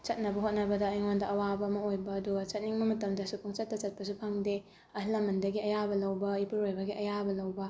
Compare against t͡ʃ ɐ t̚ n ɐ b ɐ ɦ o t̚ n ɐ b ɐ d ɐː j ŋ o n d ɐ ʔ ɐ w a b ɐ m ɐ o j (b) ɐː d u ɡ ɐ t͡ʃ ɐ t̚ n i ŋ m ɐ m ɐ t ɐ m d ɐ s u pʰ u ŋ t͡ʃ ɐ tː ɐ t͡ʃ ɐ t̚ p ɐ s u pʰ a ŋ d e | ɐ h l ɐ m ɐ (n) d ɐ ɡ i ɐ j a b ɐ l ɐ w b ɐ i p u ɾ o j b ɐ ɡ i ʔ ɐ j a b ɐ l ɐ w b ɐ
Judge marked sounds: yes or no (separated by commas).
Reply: yes, yes